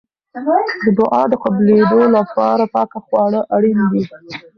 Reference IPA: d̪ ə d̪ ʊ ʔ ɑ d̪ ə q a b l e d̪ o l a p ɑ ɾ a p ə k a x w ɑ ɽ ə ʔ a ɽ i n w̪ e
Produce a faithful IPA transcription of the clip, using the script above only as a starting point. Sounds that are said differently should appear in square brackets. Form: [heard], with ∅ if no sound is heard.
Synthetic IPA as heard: d̪ ə d̪ ʊ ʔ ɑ d̪ ə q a b l e d̪ o l a p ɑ ɾ a p [ɑ] k a x w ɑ ɽ ə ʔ a ɽ i n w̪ [i]